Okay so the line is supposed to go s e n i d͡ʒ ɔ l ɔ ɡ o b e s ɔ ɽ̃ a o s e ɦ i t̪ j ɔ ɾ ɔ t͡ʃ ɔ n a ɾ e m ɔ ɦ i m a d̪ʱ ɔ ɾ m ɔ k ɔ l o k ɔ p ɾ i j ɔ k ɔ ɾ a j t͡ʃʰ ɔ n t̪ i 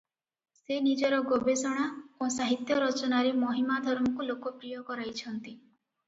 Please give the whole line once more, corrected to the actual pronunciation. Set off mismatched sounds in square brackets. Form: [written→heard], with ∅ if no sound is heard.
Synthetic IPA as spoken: s e n i d͡ʒ ɔ [l→ɾ] ɔ ɡ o b e s ɔ ɽ̃ a o s [e→a] ɦ i t̪ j ɔ ɾ ɔ t͡ʃ ɔ n a ɾ e m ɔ ɦ i m a d̪ʱ ɔ ɾ m ɔ k [ɔ→u] l o k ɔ p ɾ i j ɔ k ɔ ɾ a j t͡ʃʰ ɔ n t̪ i